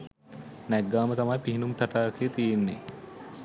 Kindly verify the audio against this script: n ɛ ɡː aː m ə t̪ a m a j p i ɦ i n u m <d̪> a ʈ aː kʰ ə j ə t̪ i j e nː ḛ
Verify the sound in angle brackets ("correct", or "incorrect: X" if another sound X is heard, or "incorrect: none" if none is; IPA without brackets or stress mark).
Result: incorrect: t̪